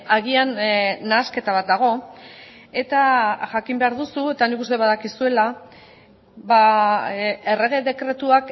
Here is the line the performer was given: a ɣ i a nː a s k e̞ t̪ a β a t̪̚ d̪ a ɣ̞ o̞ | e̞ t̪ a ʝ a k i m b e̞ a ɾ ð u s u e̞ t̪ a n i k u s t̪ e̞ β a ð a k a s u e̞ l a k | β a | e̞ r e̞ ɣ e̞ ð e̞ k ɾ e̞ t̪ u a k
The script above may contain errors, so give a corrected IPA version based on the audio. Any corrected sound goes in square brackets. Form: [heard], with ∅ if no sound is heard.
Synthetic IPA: a ɣ i a nː a s k e̞ t̪ a β a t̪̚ d̪ a ɣ̞ o̞ | e̞ t̪ a ʝ a k i m b e̞ a ɾ ð u s u e̞ t̪ a n i k u s t̪ e̞ β a ð a k [i] s u e̞ l a [∅] | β a | e̞ r e̞ ɣ e̞ ð e̞ k ɾ e̞ t̪ u a k